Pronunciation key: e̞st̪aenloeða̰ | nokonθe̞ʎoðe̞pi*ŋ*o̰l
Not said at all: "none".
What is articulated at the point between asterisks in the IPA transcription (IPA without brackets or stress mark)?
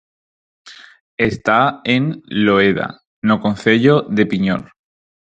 ɲ